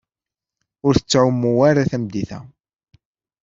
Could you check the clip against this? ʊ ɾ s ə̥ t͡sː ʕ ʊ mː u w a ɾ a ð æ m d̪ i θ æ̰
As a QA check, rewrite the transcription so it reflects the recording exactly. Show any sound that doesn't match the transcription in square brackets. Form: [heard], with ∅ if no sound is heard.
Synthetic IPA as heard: ʊ ɾ [θ] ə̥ t͡sː ʕ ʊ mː u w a ɾ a [θ] æ m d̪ i θ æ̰